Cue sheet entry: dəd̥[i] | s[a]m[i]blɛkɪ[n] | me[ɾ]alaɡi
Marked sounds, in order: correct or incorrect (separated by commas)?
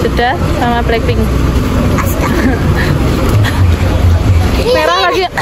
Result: incorrect, correct, incorrect, incorrect, correct